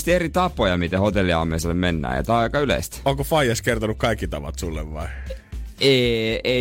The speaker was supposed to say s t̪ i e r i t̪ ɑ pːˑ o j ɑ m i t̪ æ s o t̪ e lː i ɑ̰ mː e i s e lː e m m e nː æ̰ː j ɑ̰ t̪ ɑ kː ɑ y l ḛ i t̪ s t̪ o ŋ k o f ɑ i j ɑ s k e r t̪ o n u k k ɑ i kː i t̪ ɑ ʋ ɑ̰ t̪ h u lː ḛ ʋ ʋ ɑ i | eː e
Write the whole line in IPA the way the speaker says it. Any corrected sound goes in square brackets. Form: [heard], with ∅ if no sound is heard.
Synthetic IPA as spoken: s t̪ i e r i t̪ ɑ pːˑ o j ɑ m i t̪ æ [h] o t̪ e lː i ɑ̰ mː e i s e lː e m m e nː æ̰ː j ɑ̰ t̪ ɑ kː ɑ y l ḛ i [∅] s t̪ o ŋ k o f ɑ i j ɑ s k e r t̪ o n u k k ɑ i kː i t̪ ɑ ʋ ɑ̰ t̪ [s] u lː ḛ ʋ ʋ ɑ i | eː e